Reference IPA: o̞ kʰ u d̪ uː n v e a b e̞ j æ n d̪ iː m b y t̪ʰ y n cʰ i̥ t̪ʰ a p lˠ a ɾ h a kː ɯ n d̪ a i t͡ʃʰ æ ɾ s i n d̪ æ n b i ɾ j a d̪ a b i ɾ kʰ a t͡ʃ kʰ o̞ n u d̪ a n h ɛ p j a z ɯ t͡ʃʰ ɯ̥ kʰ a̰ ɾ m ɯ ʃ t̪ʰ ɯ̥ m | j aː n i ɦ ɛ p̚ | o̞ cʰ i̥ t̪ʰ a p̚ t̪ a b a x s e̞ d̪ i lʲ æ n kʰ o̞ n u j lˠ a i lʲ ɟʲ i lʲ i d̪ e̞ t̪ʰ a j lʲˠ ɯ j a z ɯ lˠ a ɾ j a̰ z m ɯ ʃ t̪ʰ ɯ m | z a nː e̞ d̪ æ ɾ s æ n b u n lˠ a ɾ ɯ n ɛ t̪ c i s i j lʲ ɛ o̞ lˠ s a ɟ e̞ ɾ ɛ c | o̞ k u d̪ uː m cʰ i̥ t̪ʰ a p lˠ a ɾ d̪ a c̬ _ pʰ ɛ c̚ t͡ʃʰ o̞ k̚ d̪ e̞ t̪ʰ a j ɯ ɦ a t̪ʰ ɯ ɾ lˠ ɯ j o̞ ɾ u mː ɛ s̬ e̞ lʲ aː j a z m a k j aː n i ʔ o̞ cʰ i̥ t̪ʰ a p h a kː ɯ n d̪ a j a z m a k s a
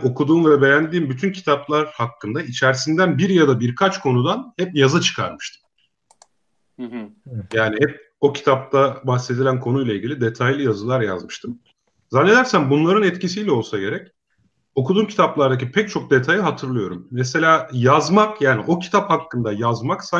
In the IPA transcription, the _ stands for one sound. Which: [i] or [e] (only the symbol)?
i